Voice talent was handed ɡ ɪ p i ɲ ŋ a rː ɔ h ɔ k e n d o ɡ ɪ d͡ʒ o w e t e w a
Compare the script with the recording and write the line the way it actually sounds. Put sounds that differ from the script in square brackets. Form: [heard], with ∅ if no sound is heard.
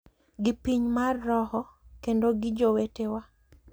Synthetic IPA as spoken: ɡ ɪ p i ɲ [m] a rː ɔ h ɔ k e n d o ɡ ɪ d͡ʒ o w e t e w a